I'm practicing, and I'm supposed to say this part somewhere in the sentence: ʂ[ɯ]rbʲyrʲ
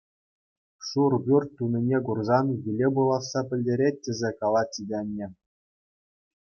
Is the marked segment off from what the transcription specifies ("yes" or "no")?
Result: yes